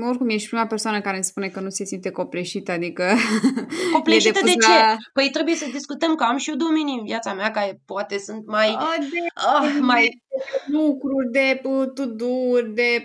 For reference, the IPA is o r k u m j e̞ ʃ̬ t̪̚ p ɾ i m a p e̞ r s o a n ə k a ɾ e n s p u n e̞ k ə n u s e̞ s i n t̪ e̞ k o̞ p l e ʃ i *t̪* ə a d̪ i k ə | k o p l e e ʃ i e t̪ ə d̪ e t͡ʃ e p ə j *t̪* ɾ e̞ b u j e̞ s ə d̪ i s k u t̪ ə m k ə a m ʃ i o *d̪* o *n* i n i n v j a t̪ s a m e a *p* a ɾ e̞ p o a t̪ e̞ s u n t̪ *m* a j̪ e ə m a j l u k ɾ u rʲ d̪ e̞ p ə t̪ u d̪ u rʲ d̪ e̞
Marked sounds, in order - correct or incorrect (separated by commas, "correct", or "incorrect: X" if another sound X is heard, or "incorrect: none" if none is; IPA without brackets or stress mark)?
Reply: correct, correct, correct, incorrect: m, incorrect: k, correct